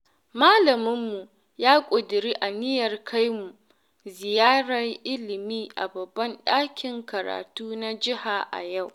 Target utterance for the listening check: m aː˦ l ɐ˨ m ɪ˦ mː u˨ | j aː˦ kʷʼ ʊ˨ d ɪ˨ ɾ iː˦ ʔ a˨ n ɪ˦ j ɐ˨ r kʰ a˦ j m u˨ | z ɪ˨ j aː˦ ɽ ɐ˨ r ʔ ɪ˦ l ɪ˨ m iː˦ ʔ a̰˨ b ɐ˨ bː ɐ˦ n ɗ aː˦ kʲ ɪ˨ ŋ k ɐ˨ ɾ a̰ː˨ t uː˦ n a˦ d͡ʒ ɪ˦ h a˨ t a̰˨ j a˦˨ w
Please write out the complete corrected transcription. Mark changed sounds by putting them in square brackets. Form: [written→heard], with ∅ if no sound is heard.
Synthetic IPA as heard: m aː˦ l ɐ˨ m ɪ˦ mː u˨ | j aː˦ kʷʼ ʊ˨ d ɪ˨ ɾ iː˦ ʔ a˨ n ɪ˦ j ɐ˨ r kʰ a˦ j m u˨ | z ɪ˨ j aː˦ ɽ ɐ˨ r ʔ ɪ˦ l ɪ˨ m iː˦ ʔ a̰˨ b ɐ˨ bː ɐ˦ n ɗ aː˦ kʲ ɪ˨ ŋ k ɐ˨ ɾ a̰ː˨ t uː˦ n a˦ d͡ʒ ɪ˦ h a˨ [t→ʔ] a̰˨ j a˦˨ w